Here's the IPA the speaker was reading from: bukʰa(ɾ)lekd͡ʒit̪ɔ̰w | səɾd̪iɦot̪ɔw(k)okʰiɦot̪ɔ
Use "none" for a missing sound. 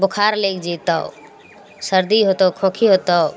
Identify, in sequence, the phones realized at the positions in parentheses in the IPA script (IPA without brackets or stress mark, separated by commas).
ɾ, kʰ